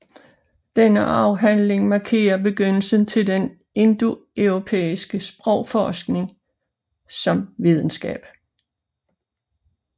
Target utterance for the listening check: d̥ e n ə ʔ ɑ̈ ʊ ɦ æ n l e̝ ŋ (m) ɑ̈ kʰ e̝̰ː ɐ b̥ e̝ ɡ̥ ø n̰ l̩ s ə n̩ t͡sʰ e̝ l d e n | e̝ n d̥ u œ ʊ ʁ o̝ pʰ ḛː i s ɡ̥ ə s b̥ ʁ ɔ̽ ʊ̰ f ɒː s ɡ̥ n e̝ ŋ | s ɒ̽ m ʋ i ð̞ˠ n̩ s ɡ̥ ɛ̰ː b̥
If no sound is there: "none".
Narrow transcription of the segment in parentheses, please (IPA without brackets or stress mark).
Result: m